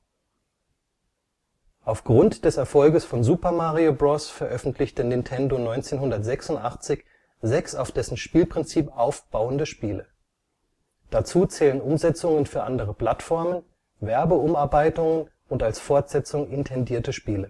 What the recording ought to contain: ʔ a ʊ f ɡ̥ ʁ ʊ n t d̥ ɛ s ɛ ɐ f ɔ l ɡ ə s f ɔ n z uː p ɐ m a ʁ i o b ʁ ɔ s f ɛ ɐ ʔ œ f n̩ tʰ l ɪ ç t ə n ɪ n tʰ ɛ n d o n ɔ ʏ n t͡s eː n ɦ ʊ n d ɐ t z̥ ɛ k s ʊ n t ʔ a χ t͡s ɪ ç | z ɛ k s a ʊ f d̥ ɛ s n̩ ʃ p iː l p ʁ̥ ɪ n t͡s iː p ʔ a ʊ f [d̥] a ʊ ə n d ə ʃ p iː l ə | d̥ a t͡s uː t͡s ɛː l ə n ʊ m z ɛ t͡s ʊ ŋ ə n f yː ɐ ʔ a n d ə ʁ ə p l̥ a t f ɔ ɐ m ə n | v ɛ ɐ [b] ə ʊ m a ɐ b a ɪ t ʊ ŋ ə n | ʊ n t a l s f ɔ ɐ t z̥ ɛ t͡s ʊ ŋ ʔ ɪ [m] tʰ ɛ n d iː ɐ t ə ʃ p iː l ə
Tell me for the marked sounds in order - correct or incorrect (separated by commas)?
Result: incorrect, correct, incorrect